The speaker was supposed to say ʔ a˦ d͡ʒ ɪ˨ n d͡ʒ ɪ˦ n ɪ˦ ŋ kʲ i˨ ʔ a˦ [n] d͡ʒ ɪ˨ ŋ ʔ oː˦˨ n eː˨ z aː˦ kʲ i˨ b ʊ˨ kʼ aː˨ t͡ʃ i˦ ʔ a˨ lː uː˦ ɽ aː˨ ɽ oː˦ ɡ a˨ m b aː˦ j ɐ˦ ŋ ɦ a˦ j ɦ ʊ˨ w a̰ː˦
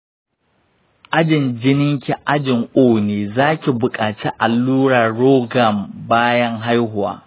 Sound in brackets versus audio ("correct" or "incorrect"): incorrect